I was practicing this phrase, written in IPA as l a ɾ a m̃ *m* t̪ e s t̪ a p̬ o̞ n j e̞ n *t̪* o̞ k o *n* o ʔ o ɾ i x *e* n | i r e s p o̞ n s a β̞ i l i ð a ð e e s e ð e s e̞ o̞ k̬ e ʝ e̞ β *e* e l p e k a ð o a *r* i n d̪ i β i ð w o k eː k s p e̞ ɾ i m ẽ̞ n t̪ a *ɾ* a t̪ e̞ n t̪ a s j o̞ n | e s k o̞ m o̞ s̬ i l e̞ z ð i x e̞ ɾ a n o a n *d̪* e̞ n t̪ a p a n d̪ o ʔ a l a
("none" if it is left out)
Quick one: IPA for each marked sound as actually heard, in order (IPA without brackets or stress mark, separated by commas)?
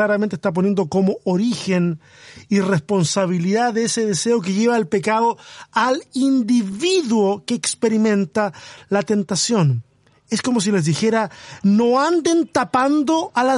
n, d̪, m, e, a, l, l, d̪